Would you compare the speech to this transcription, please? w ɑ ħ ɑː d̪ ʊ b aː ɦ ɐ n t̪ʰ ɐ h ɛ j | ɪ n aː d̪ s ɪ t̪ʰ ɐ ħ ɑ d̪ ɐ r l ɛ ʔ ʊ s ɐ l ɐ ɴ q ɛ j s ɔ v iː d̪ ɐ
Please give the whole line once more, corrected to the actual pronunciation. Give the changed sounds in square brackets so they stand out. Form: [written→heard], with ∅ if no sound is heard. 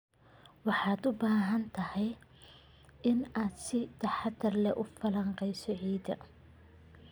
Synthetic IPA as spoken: w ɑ ħ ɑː d̪ ʊ b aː ɦ ɐ n t̪ʰ ɐ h ɛ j | ɪ n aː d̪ s ɪ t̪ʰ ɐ ħ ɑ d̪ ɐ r l ɛ ʔ ʊ [s→f] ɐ l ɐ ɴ q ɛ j s ɔ [v→ʕ] iː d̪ ɐ